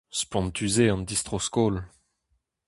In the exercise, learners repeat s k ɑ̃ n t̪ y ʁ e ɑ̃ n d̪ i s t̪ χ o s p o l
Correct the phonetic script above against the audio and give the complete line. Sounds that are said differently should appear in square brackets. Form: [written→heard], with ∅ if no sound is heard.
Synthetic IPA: s [k→p] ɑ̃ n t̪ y [ʁ→z] e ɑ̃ n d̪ i s t̪ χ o s [p→k] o l